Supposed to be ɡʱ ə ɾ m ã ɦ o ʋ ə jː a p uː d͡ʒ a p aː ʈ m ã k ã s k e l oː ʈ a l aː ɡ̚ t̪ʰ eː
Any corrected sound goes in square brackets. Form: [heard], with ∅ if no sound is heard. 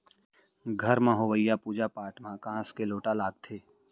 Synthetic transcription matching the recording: ɡʱ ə ɾ m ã ɦ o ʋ ə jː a p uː d͡ʒ a p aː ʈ m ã k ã s k e l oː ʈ a l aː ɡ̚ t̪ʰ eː